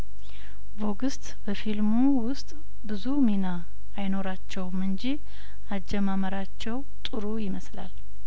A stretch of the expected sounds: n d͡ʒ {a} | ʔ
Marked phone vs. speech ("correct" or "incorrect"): incorrect